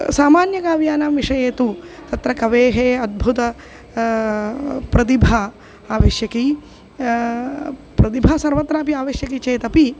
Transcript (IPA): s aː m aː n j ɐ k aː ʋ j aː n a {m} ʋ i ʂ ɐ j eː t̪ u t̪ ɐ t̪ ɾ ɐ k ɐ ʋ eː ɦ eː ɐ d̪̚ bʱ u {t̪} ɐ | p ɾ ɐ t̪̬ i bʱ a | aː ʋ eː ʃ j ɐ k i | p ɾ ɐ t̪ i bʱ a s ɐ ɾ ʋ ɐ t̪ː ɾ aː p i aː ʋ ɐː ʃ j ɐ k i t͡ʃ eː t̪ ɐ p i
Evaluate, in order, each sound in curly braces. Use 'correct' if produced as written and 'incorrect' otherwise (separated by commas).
correct, correct